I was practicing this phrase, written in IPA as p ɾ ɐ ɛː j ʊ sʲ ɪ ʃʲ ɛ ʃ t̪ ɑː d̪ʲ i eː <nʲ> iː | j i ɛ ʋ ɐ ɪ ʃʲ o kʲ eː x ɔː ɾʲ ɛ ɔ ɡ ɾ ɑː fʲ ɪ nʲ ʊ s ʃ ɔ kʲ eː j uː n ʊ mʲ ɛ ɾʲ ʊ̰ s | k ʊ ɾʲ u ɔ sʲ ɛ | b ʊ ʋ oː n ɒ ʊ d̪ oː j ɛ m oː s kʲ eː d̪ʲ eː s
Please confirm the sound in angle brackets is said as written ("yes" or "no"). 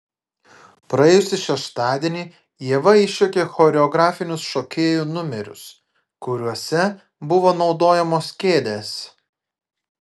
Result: yes